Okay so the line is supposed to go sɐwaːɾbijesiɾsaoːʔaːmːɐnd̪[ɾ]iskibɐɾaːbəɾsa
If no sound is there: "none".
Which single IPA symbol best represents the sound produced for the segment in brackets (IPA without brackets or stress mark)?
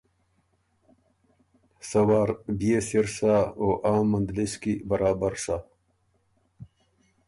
l